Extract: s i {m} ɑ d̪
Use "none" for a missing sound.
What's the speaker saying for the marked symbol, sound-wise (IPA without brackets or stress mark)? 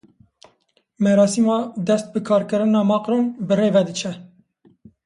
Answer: m